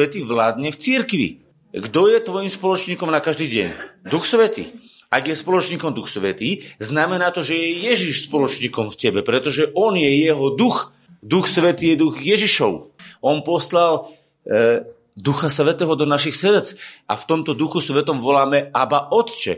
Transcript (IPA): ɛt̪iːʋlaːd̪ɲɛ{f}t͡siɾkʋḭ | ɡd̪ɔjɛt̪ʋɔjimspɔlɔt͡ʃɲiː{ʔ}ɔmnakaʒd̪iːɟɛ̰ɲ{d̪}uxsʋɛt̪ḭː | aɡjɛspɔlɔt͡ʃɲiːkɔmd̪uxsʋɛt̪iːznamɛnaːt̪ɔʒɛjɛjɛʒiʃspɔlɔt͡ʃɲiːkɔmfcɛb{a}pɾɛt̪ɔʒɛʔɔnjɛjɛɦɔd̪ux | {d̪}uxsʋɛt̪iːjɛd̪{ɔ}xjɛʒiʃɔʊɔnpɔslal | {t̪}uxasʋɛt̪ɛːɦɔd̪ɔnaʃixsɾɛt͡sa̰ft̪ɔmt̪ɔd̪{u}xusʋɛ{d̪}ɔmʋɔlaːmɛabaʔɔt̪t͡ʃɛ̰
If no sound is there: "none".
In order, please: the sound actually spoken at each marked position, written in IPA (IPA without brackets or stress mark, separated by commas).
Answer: f, k, d̪, ɛ, d̪, u, d̪, u, t̪